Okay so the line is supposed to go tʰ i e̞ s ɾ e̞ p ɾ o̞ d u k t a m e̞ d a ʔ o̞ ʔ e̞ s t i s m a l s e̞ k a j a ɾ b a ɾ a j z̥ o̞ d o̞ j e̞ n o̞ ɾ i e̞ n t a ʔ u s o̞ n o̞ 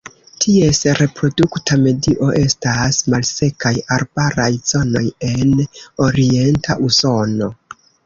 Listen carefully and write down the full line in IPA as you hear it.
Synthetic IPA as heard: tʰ i e̞ s ɾ e̞ p ɾ o̞ d u k t a m e̞ d i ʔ o̞ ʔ e̞ s t a s m a l s e̞ k a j a ɾ b a ɾ a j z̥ o̞ n o̞ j e̞ n o̞ ɾ i e̞ n t a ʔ u s o̞ n o̞